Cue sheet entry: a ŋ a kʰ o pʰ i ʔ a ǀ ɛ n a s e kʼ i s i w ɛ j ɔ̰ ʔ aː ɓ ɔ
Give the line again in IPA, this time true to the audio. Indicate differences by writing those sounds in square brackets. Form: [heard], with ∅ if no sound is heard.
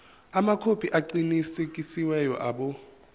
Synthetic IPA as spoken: a [m] a kʰ o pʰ i ʔ a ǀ [i] n [i] s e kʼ i s i w ɛ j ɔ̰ ʔ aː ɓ ɔ